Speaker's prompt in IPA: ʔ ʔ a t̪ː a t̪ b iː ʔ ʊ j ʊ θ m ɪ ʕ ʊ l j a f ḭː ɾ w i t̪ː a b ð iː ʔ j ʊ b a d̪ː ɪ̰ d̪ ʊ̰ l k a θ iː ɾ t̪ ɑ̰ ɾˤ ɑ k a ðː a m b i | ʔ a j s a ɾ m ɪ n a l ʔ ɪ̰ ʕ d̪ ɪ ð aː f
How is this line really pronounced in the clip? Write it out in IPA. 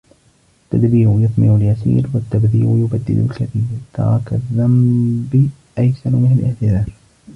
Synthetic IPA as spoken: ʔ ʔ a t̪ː a d̪ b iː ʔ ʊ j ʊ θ m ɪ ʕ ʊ l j a s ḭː ɾ w a t̪ː a b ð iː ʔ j ʊ b a d̪ː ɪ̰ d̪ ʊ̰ l k a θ iː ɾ t̪ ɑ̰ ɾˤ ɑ k a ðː a m b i | ʔ a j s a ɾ m ɪ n a l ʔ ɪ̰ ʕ t̪ ɪ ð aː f